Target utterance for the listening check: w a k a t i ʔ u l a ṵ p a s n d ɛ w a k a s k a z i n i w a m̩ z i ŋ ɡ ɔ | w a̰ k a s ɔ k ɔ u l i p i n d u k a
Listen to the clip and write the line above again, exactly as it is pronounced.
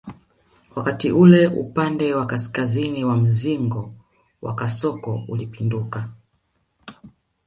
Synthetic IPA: w a k a t i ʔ u l ɛ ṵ p a n d ɛ w a k a s k a z i n i w a m̩ z i ŋ ɡ ɔ | w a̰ k a s ɔ k ɔ u l i p i n d u k a